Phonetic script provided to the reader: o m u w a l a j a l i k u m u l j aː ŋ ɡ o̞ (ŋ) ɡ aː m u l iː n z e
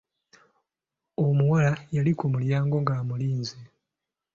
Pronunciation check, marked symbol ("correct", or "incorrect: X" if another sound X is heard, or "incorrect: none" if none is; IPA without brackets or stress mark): correct